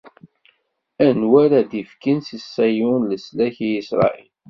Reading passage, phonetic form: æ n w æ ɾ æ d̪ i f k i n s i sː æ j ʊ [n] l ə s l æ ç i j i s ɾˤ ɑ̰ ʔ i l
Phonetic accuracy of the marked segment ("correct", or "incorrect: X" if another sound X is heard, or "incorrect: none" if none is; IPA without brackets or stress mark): correct